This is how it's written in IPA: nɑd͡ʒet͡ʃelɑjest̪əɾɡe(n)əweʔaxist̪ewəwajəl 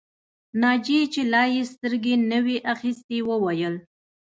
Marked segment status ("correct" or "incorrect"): correct